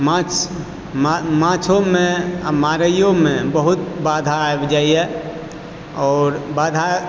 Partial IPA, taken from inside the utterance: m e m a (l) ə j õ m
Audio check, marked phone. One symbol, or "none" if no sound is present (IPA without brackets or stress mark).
ɾ